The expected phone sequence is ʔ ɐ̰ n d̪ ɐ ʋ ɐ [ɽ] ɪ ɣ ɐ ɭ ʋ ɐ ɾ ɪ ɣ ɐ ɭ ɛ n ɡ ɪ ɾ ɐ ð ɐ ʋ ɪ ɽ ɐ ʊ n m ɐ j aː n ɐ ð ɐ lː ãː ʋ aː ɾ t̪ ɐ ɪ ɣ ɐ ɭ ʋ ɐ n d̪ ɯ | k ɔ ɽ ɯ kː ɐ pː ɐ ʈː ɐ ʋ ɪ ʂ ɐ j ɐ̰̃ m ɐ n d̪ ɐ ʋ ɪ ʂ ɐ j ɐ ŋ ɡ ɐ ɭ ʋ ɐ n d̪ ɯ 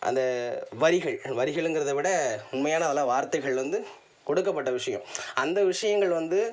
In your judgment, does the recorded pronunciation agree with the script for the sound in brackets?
no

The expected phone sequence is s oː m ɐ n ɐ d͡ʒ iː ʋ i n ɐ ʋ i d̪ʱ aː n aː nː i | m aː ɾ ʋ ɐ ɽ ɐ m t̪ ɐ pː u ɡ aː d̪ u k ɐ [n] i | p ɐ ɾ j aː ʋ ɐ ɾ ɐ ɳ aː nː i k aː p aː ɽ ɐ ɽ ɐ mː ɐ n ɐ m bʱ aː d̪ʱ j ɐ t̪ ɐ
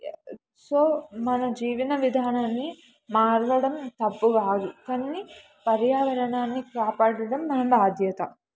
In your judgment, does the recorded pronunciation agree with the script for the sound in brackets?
no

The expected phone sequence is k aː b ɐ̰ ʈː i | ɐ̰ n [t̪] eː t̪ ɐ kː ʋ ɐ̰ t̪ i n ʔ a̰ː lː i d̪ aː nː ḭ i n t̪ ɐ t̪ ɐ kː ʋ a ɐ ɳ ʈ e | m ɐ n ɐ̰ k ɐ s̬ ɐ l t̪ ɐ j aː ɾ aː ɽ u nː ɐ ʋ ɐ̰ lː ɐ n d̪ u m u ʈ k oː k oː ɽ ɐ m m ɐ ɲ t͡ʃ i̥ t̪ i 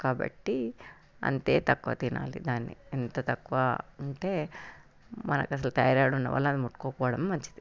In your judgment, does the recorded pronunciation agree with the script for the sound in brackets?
yes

